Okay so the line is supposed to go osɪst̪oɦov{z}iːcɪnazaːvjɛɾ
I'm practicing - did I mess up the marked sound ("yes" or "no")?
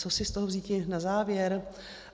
no